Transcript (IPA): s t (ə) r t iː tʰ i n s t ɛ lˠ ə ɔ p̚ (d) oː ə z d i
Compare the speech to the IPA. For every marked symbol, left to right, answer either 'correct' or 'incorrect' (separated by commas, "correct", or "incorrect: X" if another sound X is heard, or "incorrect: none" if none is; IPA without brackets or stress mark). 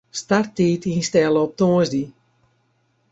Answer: incorrect: a, incorrect: t